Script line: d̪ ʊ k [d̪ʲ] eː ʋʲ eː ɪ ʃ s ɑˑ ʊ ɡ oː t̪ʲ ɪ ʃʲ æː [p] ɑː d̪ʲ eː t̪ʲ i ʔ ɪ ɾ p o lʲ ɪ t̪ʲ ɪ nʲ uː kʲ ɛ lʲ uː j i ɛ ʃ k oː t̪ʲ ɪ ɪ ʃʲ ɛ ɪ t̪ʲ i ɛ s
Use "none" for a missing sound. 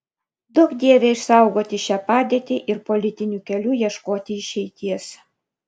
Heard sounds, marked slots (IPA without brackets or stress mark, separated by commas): d̪ʲ, p